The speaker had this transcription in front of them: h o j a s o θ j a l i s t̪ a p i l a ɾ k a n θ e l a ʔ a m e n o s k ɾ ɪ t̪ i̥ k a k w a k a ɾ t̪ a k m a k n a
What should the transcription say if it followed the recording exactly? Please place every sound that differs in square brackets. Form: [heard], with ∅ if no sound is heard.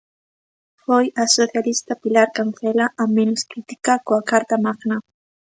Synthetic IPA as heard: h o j a s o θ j a l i s t̪ a p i l a ɾ k a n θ e l a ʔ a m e n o s k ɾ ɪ t̪ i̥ k a k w a k a ɾ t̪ a [∅] m a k n a